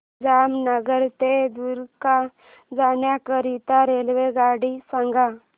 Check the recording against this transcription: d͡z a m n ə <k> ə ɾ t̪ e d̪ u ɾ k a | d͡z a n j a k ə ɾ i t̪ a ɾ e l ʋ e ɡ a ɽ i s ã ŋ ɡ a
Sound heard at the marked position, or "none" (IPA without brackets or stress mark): ɡ